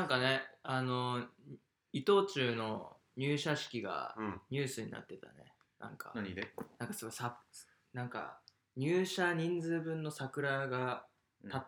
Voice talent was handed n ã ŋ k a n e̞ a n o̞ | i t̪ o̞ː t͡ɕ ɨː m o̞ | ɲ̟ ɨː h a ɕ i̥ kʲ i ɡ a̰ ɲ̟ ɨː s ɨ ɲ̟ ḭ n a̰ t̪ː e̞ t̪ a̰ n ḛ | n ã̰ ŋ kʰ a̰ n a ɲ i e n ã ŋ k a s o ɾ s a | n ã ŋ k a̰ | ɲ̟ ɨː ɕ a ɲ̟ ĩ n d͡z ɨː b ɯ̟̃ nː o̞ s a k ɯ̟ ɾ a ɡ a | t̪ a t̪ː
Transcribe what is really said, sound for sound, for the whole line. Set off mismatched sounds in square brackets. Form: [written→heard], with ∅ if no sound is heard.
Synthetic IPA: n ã ŋ k a n e̞ a n o̞ | i t̪ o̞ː t͡ɕ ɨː [m→n] o̞ | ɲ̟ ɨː [h→ɕ] a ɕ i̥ kʲ i ɡ a̰ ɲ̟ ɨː s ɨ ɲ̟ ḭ n a̰ t̪ː e̞ t̪ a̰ n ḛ | n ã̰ ŋ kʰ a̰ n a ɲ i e n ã ŋ k a s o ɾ s a | n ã ŋ k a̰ | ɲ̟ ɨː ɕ a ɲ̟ ĩ n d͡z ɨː b ɯ̟̃ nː o̞ s a k ɯ̟ ɾ a ɡ a | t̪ a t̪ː